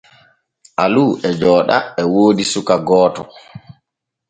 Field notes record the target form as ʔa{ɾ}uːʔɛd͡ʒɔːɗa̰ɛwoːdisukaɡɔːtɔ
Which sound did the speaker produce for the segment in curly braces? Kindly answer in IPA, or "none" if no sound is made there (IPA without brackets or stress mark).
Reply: l